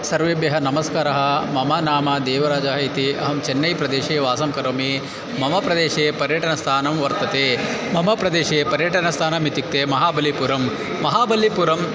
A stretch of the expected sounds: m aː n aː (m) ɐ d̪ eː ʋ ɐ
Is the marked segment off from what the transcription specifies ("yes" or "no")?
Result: no